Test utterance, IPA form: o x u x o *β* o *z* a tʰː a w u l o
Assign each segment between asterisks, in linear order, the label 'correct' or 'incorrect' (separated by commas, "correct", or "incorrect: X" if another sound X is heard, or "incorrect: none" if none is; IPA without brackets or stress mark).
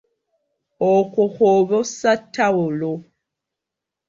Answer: correct, incorrect: s